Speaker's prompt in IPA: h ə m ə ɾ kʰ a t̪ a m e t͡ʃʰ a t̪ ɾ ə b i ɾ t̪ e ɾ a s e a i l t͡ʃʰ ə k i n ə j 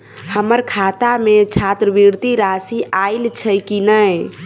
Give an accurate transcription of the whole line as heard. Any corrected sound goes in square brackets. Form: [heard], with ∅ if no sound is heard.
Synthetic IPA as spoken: h ə m ə ɾ kʰ a t̪ a m e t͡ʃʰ a t̪ ɾ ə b i ɾ t̪ [i] ɾ a s [i] a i l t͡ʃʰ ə k i n ə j

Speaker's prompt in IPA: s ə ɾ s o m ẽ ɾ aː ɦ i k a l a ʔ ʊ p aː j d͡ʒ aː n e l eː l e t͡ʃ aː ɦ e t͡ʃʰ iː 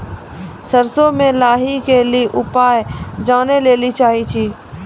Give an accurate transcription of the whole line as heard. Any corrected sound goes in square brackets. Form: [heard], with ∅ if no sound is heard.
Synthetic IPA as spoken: s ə ɾ s o m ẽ [l] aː ɦ i k [e] l [i] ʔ ʊ p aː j d͡ʒ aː n e l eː l [i] t͡ʃ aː ɦ [i] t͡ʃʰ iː

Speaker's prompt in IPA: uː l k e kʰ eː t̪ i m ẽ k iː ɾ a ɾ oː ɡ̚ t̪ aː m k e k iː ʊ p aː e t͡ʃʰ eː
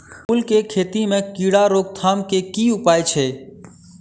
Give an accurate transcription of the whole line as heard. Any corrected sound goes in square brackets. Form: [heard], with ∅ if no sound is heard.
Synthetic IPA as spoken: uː l k e kʰ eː t̪ i m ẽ k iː [ɽ] a ɾ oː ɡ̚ [t̪ʰ] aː m k e k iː ʊ p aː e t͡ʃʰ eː

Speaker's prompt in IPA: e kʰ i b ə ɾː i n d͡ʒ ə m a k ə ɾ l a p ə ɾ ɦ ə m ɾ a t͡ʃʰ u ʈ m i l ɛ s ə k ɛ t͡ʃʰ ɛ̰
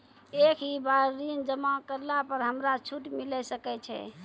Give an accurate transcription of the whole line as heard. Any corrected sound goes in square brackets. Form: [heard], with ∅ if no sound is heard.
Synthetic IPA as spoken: e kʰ i b [a] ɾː i n d͡ʒ ə m a k ə ɾ l a p ə ɾ ɦ ə m ɾ a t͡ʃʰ u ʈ m i l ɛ s ə k ɛ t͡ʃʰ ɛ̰

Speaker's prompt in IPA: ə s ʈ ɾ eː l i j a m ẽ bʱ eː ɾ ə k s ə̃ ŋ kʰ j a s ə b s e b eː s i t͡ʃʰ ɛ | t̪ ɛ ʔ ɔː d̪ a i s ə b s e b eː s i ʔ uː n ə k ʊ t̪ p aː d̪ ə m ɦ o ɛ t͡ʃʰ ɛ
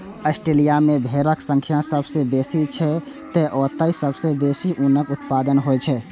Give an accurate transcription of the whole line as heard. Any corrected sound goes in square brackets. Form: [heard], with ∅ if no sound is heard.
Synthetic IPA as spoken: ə s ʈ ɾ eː l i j a m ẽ bʱ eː ɾ ə k s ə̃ ŋ kʰ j a s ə b s e b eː s i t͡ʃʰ ɛ | t̪ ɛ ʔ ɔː [t̪] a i s ə b s e b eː s i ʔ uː n ə k ʊ t̪ p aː d̪ ə [n] ɦ o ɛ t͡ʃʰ ɛ

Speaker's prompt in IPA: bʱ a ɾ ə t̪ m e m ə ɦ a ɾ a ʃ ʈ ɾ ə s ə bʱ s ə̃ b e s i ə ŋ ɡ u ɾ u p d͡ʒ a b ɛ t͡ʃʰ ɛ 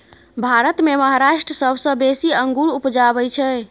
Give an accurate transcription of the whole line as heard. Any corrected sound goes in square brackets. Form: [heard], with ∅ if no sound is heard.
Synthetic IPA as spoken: bʱ a ɾ ə t̪ m e m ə ɦ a ɾ a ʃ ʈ ɾ ə s ə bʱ s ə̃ b e s i ə ŋ ɡ u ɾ u p d͡ʒ a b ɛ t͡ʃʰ ɛ

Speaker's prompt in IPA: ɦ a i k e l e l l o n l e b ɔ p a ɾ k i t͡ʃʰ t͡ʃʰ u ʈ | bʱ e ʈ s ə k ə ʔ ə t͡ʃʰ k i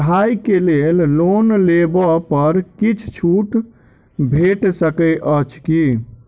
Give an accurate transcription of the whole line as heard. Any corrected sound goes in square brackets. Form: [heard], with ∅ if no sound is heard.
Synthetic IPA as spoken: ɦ a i k e l e l l o n l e b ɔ p [ə] ɾ k i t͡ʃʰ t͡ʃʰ u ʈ | bʱ e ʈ s ə k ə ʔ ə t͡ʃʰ k i

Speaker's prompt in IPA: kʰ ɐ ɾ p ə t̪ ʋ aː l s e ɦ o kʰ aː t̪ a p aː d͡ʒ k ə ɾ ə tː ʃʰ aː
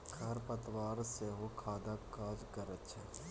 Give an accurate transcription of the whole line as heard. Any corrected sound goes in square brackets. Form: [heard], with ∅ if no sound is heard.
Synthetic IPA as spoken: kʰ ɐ ɾ p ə t̪ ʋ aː [ɾ] s e ɦ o kʰ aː [d̪] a [k] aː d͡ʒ k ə ɾ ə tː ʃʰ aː

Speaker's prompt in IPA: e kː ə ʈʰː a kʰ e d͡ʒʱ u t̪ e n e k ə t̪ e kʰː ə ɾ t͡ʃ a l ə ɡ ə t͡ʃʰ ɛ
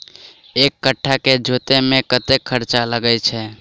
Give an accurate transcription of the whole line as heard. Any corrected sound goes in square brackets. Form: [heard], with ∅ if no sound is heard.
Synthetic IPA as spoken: e kː ə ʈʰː a [k] e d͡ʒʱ [o] t̪ e [m] e k ə t̪ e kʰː ə ɾ t͡ʃ a l ə ɡ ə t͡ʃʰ ɛ

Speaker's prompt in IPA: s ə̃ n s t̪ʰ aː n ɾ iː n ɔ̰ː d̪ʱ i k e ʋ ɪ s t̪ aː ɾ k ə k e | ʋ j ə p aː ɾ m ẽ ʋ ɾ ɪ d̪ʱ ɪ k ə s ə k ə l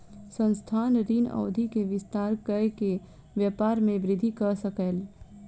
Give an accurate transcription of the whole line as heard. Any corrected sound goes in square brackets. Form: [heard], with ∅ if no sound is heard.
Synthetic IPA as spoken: s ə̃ n s t̪ʰ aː n ɾ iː n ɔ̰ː d̪ʱ i k e ʋ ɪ s t̪ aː ɾ k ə k e | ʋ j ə p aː ɾ m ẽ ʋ ɾ ɪ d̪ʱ [i] k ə s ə k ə l

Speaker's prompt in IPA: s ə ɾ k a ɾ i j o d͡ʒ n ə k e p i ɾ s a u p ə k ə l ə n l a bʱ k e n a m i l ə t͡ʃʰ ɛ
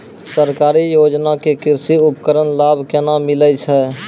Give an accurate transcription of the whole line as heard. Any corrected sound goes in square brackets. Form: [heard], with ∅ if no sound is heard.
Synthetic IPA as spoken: s ə ɾ k a ɾ i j o d͡ʒ n [a] k e [k] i ɾ s [i] u p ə k ə [ɾ] ə n l a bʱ k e n a m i l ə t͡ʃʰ ɛ

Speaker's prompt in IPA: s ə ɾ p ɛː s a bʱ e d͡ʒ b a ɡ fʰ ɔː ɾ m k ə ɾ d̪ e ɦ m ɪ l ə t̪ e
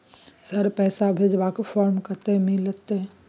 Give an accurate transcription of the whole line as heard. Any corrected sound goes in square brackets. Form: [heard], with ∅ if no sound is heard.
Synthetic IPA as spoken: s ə ɾ p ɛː s a bʱ e d͡ʒ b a [k] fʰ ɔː ɾ m k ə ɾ [t̪] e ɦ m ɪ l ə t̪ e

